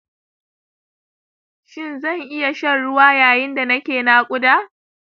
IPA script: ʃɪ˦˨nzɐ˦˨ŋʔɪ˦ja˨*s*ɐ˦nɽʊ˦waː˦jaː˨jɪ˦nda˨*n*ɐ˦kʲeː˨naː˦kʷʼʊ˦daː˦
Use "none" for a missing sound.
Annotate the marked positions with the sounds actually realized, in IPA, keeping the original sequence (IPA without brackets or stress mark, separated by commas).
ʃ, n